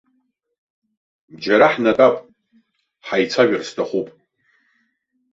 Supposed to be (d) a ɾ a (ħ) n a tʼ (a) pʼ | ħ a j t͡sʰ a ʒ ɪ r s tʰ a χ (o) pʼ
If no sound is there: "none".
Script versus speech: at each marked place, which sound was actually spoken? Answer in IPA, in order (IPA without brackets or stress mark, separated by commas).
d͡ʒ, ħ, a, u